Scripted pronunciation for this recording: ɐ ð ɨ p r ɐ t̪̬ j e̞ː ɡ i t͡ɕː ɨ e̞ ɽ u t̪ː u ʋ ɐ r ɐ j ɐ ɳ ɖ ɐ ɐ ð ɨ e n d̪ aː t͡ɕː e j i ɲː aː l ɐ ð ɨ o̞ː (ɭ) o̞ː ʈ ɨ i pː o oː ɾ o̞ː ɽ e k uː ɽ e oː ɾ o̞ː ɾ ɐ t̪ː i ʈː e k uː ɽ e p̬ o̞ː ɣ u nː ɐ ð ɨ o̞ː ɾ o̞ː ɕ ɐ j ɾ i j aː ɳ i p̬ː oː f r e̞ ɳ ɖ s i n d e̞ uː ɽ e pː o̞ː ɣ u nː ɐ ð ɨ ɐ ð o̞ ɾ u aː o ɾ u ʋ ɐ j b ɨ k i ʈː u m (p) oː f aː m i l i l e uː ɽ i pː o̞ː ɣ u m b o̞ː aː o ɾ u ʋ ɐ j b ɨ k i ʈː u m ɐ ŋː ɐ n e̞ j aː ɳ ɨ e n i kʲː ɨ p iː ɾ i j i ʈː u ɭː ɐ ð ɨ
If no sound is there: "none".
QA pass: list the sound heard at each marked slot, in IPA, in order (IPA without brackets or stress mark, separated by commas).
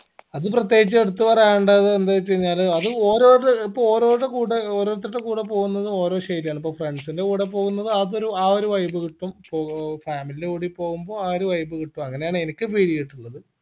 ɾ, p